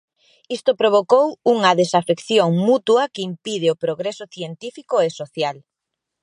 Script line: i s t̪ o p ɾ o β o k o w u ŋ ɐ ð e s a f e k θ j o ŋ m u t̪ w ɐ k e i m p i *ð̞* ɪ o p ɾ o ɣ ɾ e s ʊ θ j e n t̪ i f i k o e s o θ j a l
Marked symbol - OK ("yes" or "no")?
yes